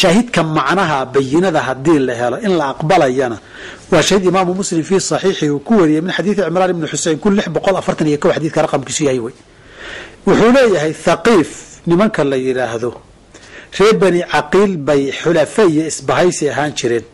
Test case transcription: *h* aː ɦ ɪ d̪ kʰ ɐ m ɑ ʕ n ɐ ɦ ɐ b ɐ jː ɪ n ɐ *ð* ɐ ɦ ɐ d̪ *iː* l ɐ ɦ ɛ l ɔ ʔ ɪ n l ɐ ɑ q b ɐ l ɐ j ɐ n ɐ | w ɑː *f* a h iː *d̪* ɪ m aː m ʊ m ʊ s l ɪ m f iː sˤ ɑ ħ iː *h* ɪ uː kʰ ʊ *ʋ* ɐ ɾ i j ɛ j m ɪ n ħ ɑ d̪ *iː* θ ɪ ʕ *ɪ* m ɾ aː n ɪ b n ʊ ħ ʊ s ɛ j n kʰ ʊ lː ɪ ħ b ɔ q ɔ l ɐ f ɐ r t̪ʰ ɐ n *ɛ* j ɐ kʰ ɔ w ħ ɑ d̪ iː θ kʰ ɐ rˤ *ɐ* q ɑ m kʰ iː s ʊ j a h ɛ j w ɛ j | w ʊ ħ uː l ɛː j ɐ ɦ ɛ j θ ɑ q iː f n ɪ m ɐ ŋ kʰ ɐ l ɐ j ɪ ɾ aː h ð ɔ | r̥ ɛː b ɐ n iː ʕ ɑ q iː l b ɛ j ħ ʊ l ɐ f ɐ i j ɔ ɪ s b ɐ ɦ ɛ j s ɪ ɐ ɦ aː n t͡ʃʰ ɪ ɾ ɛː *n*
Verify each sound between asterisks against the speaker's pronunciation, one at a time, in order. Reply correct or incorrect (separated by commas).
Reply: incorrect, correct, correct, incorrect, correct, incorrect, incorrect, correct, correct, incorrect, incorrect, correct